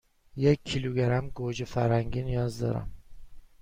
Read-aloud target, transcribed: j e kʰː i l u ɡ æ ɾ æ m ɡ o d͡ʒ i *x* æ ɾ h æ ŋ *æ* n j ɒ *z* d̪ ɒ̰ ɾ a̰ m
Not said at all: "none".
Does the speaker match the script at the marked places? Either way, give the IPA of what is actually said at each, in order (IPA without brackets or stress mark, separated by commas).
f, i, z